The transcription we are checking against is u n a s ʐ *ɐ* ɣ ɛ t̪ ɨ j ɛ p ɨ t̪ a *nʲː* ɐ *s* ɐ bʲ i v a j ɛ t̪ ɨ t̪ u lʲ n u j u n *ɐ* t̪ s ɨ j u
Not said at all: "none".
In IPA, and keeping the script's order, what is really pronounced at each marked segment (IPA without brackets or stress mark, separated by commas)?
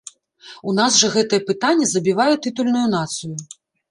ɐ, nʲː, z, a